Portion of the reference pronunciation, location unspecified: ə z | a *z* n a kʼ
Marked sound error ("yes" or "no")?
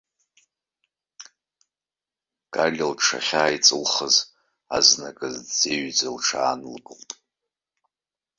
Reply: no